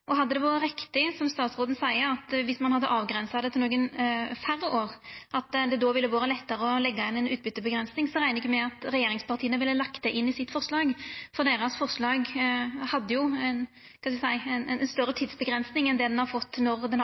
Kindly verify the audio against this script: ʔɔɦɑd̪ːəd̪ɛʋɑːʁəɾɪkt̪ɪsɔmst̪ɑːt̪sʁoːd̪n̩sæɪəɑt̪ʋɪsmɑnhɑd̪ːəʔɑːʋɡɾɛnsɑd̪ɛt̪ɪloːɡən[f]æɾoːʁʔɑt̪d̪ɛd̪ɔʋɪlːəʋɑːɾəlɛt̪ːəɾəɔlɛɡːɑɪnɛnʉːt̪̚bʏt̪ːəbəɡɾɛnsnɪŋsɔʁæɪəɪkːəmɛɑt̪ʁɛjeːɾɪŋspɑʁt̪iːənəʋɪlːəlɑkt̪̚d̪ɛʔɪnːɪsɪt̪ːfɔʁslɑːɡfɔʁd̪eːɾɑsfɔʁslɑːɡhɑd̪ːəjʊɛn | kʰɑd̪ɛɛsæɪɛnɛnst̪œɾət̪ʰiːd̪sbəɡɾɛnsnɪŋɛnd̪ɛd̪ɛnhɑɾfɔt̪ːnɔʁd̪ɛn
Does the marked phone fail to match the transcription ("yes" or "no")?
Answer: no